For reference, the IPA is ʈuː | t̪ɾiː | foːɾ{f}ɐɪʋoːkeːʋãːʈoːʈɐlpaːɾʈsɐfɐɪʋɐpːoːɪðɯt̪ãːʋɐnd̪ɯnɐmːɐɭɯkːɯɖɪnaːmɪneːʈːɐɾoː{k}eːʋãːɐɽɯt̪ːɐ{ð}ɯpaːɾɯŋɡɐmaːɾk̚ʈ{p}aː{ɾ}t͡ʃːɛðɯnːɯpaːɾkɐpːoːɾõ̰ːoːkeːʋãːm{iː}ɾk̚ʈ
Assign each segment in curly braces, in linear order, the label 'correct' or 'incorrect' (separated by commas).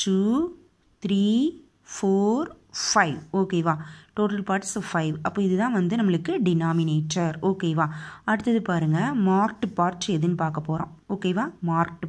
correct, correct, correct, correct, correct, incorrect